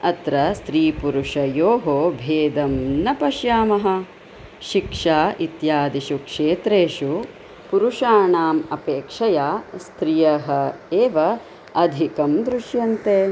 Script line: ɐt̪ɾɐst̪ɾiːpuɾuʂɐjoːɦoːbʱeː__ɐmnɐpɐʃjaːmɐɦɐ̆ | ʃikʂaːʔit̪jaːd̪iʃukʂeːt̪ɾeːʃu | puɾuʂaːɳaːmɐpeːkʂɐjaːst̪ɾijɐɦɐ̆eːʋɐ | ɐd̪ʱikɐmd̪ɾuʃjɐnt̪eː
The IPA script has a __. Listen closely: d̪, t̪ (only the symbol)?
d̪